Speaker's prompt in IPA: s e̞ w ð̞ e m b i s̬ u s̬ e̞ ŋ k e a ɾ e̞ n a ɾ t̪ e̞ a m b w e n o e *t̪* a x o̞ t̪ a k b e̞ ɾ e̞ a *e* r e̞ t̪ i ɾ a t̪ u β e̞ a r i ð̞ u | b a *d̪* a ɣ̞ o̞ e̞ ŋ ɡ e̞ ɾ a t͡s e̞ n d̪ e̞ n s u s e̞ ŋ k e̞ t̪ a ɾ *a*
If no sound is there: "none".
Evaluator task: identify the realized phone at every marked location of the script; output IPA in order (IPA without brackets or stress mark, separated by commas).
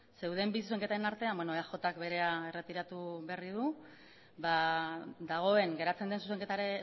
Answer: none, e, d̪, e